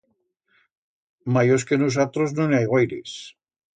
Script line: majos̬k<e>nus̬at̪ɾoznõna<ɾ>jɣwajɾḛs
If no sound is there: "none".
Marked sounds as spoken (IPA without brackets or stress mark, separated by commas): e, none